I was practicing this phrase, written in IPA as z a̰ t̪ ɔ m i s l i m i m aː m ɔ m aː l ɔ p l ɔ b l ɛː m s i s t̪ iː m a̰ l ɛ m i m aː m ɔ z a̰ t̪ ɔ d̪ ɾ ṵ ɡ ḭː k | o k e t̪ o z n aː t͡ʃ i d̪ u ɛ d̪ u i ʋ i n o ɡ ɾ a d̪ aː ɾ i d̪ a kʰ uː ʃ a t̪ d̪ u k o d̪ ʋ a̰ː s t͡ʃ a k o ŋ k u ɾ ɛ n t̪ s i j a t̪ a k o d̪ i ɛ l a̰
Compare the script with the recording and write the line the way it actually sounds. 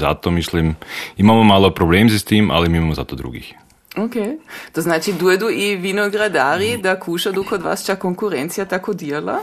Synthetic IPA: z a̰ t̪ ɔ m i s l i m i m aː m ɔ m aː l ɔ p ɾ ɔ b l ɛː m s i s t̪ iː m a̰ l ɛ m i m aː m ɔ z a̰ t̪ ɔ d̪ ɾ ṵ ɡ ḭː x | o k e t̪ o z n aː t͡ʃ i d̪ u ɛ d̪ u i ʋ i n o ɡ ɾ a d̪ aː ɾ i d̪ a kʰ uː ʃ a d̪ u k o d̪ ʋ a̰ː s t͡ʃ a k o ŋ k u ɾ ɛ n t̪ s i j a t̪ a k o d̪ i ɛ l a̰